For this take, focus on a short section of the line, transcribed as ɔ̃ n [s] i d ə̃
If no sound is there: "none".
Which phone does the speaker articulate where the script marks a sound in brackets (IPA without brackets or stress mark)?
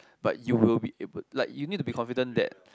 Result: f